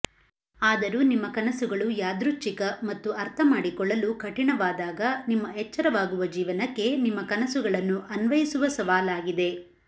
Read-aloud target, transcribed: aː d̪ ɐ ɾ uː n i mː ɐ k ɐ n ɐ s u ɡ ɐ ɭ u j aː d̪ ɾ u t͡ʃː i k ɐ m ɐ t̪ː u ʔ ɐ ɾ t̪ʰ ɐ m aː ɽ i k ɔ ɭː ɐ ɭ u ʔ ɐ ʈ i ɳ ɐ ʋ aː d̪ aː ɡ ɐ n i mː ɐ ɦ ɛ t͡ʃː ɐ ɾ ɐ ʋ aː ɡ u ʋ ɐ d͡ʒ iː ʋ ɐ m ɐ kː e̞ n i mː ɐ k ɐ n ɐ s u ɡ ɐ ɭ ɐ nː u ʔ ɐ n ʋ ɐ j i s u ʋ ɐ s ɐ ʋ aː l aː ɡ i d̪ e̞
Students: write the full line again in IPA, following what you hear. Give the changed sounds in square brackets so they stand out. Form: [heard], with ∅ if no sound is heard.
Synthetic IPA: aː d̪ ɐ ɾ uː n i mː ɐ k ɐ n ɐ s u ɡ ɐ ɭ u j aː d̪ ɾ u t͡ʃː i k ɐ m ɐ t̪ː u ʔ ɐ ɾ t̪ʰ ɐ m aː ɽ i k ɔ ɭː ɐ [l] u [k] ɐ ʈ i ɳ ɐ ʋ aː d̪ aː ɡ ɐ n i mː ɐ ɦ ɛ t͡ʃː ɐ ɾ ɐ ʋ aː ɡ u ʋ ɐ d͡ʒ iː ʋ ɐ [n] ɐ kː e̞ n i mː ɐ k ɐ n ɐ s u ɡ ɐ ɭ ɐ nː u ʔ ɐ n ʋ ɐ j i s u ʋ ɐ s ɐ ʋ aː l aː ɡ i d̪ e̞